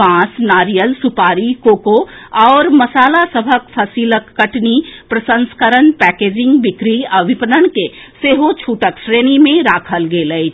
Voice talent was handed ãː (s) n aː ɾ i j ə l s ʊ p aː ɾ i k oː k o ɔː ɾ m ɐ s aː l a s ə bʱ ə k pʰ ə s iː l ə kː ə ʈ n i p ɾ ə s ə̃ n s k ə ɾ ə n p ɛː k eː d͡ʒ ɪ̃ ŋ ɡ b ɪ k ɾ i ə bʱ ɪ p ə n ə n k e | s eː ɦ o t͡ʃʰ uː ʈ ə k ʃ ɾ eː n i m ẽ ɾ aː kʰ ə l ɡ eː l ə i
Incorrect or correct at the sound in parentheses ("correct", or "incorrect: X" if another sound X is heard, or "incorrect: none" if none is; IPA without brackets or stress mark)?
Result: correct